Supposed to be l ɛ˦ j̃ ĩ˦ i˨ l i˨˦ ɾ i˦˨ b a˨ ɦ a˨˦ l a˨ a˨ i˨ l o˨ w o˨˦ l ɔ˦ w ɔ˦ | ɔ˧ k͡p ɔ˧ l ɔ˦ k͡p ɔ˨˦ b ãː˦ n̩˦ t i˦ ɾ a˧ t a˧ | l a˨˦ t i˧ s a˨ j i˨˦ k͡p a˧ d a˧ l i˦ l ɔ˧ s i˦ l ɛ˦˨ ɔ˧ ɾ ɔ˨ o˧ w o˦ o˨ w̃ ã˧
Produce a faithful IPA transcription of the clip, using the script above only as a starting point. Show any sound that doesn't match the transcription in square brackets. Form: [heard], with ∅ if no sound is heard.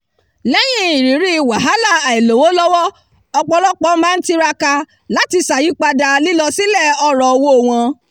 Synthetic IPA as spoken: l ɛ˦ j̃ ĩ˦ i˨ [ɾ] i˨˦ ɾ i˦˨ [w] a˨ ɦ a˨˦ l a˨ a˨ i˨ l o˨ w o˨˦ l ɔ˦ w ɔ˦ | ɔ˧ k͡p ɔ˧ l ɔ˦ k͡p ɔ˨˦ [m] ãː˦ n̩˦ t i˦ ɾ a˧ [k] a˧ | l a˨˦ t i˧ s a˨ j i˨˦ k͡p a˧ d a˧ l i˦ l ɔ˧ s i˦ l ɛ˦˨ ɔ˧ ɾ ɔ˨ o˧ w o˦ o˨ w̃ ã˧